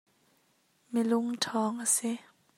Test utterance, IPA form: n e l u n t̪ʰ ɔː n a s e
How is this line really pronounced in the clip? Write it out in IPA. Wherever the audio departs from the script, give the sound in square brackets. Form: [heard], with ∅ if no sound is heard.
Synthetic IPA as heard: [m] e l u [ŋ] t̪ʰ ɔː [ŋ] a s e